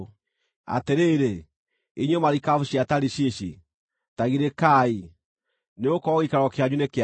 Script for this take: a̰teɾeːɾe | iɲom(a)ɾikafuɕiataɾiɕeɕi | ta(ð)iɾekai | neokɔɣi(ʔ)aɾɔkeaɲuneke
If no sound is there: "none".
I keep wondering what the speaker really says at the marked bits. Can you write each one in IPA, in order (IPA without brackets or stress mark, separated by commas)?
a, ɣ, k